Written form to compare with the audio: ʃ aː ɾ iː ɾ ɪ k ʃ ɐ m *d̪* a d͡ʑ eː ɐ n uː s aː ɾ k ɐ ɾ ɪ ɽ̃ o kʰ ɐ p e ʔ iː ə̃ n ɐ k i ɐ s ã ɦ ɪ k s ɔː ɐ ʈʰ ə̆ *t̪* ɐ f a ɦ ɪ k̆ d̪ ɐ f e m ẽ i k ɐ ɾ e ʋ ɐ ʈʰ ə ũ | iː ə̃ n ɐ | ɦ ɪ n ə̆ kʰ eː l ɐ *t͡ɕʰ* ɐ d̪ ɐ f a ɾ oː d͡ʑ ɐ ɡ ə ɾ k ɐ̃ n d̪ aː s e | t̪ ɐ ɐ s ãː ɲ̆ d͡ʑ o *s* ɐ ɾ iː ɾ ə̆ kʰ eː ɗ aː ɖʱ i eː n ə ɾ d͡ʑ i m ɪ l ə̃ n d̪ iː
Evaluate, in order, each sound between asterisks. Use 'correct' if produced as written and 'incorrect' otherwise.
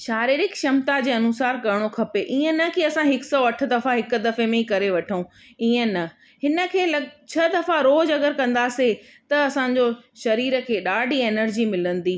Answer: incorrect, incorrect, correct, incorrect

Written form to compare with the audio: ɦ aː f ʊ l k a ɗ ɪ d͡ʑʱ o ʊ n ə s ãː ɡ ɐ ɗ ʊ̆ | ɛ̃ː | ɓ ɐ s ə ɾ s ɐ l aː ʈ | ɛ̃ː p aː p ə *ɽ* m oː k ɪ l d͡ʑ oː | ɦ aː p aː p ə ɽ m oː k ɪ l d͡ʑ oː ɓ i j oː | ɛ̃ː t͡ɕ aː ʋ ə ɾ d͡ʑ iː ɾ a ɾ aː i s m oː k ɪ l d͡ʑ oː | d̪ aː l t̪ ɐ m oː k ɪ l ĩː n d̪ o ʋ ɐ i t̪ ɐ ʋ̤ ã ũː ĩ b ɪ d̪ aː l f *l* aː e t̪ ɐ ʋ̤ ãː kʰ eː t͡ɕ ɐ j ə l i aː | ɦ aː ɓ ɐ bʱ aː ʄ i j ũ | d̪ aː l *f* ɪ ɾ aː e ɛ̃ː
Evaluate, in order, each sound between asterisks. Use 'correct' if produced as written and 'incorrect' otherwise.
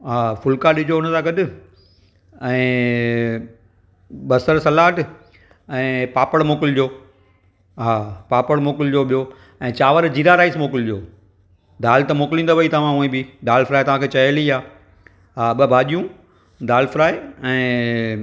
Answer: correct, incorrect, correct

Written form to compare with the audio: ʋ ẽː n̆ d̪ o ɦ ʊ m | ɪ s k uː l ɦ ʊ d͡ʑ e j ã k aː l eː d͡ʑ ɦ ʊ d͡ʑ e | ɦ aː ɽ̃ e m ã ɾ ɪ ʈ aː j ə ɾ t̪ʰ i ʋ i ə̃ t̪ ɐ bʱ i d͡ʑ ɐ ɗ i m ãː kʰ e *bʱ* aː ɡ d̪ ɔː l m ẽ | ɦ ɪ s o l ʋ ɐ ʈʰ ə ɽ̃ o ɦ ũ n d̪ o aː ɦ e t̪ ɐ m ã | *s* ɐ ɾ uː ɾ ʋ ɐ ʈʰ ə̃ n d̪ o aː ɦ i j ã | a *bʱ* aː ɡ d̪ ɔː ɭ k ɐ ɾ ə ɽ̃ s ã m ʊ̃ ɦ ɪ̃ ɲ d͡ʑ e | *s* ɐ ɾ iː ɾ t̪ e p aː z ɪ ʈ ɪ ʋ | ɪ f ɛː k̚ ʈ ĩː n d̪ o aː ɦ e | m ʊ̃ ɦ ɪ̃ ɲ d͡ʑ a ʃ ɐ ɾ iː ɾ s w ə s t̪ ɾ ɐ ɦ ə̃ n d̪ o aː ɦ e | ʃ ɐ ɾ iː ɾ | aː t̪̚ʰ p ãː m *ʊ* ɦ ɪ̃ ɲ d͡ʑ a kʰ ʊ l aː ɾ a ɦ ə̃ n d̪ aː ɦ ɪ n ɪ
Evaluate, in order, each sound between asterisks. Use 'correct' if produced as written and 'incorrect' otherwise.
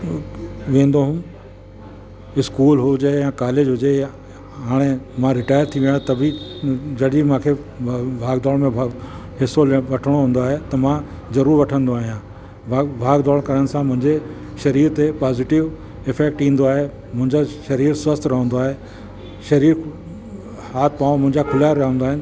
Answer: correct, incorrect, correct, incorrect, incorrect

